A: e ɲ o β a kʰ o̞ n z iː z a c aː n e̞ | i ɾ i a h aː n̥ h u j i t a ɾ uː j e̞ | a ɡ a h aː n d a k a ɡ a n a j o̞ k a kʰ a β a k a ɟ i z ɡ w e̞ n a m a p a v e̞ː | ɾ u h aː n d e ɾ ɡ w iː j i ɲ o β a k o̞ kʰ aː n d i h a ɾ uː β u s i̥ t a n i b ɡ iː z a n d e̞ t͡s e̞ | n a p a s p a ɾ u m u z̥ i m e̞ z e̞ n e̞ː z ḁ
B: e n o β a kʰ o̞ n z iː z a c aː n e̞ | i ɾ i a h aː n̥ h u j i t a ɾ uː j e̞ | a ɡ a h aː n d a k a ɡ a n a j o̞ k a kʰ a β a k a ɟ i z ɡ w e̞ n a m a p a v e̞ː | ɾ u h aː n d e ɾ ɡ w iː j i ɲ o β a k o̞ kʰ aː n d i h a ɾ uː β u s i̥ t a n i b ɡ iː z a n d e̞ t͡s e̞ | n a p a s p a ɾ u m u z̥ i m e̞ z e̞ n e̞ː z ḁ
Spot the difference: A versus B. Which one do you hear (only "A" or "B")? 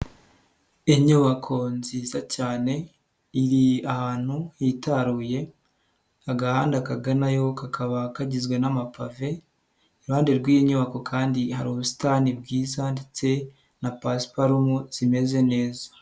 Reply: A